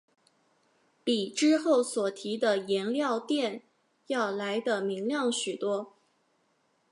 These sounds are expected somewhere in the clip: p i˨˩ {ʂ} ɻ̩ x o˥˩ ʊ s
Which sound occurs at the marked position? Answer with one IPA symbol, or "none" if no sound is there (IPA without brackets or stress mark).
ʈ͡ʂ